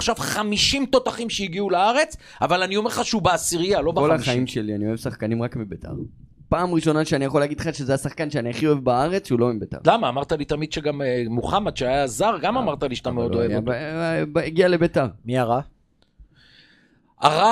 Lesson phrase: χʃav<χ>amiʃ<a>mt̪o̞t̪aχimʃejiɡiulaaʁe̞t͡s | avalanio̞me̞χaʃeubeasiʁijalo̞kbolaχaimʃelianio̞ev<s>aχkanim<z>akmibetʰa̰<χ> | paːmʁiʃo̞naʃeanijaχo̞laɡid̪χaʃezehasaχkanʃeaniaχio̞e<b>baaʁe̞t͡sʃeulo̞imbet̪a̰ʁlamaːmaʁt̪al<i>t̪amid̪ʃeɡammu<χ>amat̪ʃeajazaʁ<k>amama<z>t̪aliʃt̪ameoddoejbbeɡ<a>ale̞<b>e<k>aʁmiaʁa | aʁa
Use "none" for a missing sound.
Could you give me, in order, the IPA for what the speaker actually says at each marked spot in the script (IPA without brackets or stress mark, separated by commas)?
χ, i, s, ʁ, ʁ, v, i, χ, ɡ, ʁ, i, b, t